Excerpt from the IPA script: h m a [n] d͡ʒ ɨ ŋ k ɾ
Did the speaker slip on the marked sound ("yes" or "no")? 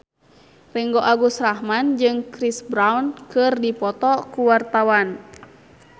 no